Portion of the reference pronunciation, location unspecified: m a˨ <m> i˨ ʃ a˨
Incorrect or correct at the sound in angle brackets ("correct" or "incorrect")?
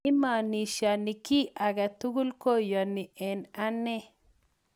incorrect